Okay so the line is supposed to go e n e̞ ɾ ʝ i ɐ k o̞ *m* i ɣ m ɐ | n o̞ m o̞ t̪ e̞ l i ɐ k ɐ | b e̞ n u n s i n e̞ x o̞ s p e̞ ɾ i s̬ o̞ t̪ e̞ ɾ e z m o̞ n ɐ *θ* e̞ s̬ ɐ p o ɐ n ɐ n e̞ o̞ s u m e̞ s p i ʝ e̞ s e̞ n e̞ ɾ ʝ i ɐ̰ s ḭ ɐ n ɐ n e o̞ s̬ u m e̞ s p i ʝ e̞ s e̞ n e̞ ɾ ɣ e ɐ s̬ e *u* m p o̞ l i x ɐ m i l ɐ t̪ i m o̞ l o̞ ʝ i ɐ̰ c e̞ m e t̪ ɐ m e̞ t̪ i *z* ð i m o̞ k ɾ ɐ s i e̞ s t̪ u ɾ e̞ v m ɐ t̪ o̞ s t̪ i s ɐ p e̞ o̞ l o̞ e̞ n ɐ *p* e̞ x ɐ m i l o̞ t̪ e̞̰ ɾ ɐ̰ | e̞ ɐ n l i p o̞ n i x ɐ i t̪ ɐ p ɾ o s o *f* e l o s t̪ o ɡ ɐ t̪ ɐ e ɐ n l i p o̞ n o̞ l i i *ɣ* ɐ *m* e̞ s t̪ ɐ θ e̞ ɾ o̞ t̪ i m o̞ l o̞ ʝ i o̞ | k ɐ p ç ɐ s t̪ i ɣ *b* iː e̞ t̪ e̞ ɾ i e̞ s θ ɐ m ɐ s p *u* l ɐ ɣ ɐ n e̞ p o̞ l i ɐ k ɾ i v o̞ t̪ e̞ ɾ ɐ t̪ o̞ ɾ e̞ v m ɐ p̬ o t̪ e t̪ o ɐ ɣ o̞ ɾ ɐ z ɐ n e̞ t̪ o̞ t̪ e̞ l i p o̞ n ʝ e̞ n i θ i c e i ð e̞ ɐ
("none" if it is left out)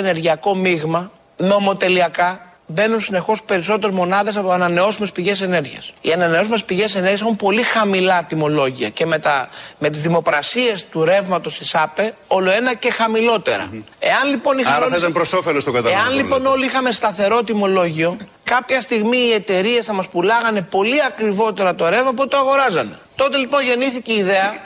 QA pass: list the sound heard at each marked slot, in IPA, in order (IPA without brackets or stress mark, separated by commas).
m, ð, u, z, c, f, x, m, m, u